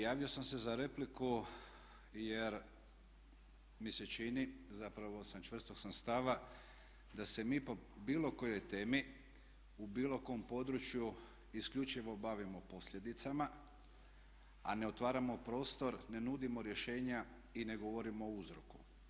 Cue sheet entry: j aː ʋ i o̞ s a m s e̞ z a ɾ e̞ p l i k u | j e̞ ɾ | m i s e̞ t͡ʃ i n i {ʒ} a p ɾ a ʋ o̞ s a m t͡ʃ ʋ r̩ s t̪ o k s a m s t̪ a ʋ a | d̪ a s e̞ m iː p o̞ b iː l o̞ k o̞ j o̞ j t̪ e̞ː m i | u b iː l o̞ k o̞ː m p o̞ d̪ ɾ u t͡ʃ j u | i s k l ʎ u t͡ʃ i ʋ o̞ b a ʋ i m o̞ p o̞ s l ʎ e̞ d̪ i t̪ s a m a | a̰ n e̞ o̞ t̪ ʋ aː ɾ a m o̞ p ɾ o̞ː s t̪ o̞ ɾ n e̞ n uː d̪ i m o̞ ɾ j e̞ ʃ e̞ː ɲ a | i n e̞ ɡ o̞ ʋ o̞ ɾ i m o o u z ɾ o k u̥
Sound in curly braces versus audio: incorrect: z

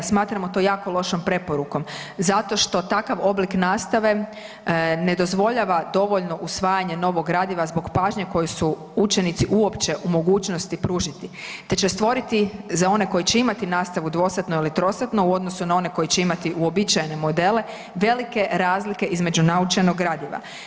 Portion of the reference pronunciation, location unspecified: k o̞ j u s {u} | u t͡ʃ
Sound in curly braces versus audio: correct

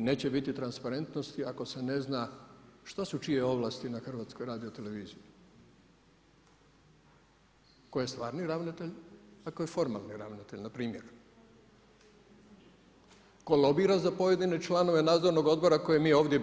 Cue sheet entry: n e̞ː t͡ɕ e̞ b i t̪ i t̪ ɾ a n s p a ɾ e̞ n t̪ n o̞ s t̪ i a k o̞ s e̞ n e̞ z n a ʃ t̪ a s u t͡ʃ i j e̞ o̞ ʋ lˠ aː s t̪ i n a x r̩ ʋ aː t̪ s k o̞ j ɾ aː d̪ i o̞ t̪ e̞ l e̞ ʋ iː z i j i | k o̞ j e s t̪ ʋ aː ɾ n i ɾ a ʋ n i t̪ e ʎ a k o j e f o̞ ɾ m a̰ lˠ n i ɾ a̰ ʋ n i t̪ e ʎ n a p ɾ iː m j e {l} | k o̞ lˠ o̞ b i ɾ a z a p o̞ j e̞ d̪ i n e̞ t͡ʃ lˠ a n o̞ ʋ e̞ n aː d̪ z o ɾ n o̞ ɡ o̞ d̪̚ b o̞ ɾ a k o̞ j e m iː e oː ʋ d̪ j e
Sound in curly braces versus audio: incorrect: ɾ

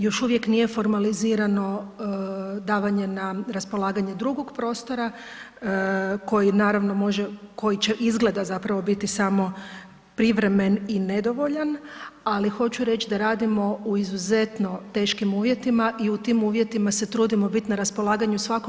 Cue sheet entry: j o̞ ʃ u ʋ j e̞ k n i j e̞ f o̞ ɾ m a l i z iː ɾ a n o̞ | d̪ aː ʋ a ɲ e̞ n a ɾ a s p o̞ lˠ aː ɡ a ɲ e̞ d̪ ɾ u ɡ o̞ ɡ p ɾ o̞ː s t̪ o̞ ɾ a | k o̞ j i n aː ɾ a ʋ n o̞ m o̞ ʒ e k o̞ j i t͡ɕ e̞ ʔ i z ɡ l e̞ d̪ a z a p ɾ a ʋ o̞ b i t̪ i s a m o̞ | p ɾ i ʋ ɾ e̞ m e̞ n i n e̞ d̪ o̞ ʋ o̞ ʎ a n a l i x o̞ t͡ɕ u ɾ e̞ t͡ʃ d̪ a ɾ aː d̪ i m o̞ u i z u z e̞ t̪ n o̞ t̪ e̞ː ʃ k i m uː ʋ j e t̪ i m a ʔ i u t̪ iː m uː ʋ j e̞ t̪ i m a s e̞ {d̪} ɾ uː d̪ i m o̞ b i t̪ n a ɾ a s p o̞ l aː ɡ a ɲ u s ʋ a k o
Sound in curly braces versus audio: incorrect: t̪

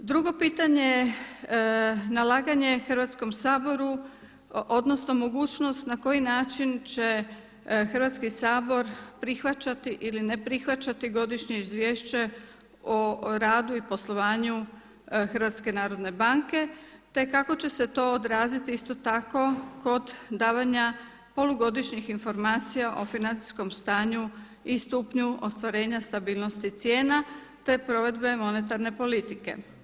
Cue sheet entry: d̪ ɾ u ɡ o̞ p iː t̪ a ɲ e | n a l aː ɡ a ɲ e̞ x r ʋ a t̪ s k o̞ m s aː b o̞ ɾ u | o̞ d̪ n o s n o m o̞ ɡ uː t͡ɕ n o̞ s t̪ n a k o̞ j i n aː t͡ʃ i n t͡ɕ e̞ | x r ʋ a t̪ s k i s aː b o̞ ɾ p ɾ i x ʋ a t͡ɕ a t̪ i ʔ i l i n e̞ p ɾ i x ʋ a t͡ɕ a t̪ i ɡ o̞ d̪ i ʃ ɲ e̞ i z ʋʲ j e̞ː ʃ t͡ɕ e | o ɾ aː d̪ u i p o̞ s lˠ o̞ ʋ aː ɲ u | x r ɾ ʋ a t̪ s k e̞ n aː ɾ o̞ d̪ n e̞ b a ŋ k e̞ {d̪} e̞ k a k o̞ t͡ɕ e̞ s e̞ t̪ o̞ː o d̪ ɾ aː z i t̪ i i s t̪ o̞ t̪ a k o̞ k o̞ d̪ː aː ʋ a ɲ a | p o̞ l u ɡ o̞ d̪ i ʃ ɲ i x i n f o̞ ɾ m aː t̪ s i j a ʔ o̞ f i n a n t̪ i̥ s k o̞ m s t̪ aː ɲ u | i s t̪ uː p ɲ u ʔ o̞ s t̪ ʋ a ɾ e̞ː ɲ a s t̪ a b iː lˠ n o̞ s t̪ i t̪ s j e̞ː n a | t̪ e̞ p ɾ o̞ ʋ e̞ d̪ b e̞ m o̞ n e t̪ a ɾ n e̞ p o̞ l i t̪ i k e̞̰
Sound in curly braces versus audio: incorrect: t̪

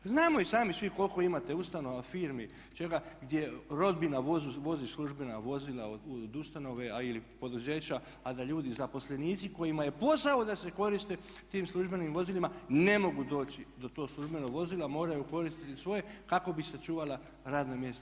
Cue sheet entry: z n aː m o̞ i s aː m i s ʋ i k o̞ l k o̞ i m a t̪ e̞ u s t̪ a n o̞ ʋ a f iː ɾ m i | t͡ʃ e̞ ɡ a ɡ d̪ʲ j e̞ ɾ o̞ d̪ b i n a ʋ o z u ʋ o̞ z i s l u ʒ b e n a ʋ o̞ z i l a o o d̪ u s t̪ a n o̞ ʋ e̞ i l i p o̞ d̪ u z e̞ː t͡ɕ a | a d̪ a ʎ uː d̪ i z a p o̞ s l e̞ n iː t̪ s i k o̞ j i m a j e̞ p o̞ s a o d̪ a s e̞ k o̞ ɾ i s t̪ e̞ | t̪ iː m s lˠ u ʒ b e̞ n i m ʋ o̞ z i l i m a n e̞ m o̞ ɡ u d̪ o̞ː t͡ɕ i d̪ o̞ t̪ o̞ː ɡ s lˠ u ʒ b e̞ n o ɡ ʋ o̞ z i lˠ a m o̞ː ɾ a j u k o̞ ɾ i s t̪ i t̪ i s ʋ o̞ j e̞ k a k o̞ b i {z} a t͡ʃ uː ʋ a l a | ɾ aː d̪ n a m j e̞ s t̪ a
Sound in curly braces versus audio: incorrect: s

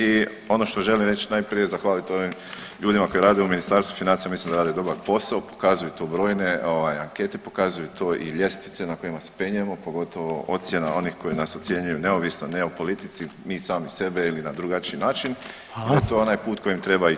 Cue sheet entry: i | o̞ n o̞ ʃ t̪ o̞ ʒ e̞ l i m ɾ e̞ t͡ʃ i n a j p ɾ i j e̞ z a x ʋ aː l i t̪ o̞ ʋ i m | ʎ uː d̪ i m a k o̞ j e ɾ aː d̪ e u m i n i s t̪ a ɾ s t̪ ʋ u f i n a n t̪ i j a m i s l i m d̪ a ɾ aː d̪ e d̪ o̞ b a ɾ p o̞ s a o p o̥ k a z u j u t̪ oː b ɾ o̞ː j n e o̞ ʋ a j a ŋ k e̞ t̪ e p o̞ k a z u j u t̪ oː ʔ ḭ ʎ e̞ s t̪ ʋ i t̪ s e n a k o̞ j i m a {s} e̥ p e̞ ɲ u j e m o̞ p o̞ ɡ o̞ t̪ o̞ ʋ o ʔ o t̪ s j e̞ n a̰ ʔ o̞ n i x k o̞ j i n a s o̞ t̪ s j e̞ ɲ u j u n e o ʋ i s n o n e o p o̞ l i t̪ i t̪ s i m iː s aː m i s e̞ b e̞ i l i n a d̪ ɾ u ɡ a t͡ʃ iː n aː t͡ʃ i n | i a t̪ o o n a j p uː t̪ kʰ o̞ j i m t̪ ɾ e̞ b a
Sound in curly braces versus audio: correct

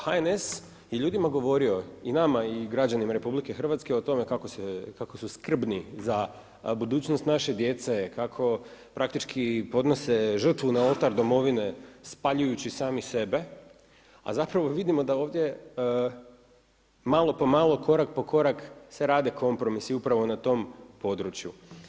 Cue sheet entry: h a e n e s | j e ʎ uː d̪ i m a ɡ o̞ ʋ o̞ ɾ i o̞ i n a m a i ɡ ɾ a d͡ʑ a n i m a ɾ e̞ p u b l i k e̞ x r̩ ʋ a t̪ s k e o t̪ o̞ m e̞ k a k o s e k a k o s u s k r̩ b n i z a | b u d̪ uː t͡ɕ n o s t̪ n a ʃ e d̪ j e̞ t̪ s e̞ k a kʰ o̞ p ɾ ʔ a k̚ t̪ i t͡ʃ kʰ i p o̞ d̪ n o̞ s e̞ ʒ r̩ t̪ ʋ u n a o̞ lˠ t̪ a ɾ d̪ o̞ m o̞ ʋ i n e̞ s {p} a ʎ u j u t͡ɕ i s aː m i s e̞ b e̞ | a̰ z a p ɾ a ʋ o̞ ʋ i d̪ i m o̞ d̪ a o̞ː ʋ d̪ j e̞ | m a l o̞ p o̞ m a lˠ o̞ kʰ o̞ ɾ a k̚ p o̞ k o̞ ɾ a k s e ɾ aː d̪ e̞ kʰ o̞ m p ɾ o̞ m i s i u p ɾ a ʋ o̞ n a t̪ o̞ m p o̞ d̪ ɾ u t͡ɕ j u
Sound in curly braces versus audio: correct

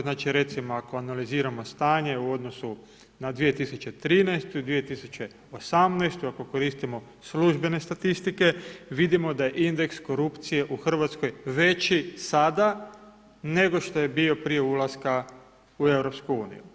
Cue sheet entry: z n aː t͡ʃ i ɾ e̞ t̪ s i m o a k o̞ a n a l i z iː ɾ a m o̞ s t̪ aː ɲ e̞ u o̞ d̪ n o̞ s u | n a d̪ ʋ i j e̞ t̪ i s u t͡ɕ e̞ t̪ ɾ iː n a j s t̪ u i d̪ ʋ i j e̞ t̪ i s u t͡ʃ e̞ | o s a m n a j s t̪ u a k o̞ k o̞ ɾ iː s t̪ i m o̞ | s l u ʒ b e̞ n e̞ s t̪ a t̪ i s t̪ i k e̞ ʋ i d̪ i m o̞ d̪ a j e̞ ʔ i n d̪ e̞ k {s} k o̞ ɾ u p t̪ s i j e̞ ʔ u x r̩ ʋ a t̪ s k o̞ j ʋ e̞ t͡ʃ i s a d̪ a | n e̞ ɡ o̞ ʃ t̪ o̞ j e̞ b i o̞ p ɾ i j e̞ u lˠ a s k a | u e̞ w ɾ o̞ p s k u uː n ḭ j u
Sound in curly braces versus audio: correct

